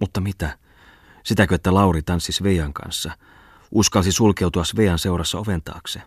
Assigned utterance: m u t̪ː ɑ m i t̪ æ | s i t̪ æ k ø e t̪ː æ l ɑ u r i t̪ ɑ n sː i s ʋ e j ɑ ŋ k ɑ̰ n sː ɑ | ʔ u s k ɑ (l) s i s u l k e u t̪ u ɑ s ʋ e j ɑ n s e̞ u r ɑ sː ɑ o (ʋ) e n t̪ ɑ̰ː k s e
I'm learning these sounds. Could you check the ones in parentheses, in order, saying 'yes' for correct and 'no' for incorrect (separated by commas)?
yes, yes